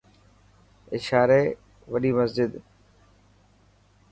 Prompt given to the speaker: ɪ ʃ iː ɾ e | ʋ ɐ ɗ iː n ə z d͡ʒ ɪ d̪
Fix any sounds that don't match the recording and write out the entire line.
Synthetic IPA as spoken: ɪ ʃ aː ɾ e | ʋ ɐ ɗ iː m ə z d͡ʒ ɪ d̪

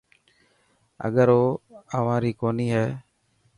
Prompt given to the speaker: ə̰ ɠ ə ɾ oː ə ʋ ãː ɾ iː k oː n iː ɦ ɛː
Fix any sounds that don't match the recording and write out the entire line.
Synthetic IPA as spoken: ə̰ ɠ ə ɾ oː ə ʋ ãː ɾ iː k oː n iː ɦ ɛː

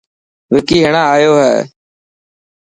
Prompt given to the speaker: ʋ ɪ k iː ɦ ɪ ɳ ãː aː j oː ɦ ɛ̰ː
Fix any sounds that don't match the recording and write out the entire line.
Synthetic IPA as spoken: ʋ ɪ k iː ɦ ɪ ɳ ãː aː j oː ɦ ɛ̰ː

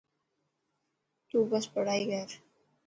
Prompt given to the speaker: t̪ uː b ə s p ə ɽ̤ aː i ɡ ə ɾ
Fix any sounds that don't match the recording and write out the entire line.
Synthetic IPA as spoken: t̪ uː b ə s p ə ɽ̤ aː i ɡ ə ɾ

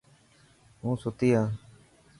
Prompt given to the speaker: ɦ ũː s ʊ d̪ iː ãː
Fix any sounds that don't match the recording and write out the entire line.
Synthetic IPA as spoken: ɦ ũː s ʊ t̪ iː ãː

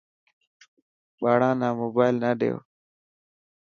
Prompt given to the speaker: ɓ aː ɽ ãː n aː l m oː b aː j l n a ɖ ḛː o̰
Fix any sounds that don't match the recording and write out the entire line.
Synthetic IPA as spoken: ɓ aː ɽ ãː n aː m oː b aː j l n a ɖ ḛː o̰

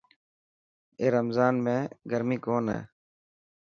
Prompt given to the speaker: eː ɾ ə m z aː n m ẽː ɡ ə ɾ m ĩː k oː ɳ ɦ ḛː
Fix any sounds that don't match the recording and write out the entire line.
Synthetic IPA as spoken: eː ɾ ə m z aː n m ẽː ɡ ə ɾ m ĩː k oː n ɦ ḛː

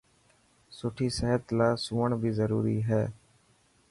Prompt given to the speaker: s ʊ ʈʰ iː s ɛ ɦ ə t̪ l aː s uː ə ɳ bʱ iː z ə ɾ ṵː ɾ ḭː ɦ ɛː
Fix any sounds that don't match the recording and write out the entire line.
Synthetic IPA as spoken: s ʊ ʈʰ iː s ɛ ɦ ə t̪ l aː s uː ə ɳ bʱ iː z ə ɾ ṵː ɾ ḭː ɦ ɛː

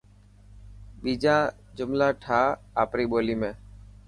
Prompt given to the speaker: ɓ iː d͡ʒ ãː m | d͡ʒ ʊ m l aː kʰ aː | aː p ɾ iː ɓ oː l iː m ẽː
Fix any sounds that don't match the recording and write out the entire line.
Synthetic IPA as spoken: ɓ iː d͡ʒ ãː | d͡ʒ ʊ m l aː ʈʰ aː | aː p ɾ iː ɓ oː l iː m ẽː

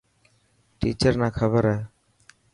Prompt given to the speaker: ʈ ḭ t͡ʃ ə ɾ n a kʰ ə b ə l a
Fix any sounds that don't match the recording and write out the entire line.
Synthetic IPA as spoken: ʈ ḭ t͡ʃ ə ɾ n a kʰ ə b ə ɾ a

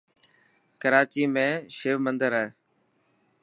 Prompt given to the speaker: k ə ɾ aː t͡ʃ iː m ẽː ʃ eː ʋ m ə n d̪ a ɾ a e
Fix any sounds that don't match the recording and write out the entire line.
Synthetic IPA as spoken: k ə ɾ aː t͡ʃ iː m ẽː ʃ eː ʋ m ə n d̪ ə ɾ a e

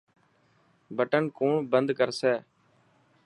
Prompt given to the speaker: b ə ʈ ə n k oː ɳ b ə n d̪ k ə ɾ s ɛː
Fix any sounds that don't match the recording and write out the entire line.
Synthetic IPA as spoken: b ə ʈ ə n k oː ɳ b ə n d̪ k ə ɾ s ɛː

